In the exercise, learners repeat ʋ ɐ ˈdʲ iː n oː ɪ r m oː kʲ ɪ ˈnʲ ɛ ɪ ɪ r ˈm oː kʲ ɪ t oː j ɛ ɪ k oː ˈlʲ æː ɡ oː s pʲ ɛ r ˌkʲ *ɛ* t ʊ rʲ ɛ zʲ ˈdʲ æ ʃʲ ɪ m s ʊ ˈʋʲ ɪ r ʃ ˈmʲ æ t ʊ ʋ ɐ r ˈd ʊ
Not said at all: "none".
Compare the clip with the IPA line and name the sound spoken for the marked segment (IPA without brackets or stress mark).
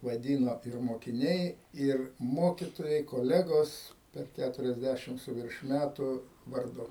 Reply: æ